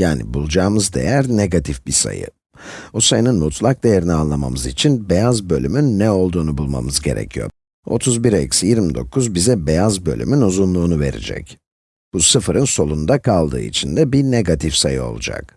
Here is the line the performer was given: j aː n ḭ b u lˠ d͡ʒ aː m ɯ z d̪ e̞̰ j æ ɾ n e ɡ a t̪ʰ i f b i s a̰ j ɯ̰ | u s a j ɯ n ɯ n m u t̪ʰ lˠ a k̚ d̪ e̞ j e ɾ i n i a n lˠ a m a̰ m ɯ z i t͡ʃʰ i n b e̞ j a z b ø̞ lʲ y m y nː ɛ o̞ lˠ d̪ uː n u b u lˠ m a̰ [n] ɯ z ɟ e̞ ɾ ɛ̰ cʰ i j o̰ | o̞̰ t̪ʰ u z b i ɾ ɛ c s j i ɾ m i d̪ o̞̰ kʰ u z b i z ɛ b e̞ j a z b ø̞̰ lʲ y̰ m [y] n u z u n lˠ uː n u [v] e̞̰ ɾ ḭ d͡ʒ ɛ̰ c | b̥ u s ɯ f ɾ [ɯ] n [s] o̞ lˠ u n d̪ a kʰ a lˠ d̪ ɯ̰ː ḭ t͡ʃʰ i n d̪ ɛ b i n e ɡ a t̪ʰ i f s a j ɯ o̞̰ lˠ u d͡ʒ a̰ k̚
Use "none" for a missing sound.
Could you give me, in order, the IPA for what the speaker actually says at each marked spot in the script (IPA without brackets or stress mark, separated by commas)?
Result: m, y, v, ɯ, s